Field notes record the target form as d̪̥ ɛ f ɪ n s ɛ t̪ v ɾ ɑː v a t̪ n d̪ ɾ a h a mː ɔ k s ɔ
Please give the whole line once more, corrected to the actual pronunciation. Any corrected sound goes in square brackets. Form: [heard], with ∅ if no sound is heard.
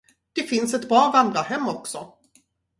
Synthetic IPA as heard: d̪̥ ɛ f ɪ n s ɛ t̪ [b] ɾ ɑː v a [∅] n d̪ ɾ a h [ɛ] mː ɔ k s ɔ